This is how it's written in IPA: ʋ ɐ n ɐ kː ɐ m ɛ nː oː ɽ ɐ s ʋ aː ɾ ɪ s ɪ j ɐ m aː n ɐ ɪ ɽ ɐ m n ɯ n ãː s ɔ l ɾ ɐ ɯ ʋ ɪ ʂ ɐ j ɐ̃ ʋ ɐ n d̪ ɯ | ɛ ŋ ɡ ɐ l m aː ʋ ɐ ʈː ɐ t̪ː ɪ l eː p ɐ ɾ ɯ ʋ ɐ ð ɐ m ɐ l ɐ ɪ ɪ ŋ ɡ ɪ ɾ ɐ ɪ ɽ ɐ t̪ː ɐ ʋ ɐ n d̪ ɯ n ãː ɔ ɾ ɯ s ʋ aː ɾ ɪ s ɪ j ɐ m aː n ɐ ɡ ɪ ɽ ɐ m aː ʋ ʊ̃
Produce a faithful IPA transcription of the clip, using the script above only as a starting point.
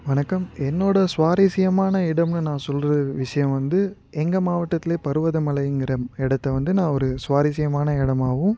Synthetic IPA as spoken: ʋ ɐ n ɐ kː ɐ m ɛ nː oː ɽ ɐ s ʋ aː ɾ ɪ s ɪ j ɐ m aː n ɐ ɪ ɽ ɐ m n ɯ n ãː s ɔ l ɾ ɐ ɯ ʋ ɪ ʂ ɐ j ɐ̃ ʋ ɐ n d̪ ɯ | ɛ ŋ ɡ ɐ m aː ʋ ɐ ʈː ɐ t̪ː ɪ l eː p ɐ ɾ ɯ ʋ ɐ ð ɐ m ɐ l ɐ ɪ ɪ ŋ ɡ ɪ ɾ ɐ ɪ ɽ ɐ t̪ː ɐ ʋ ɐ n d̪ ɯ n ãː ɔ ɾ ɯ s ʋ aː ɾ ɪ s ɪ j ɐ m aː n ɐ ɪ ɽ ɐ m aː ʋ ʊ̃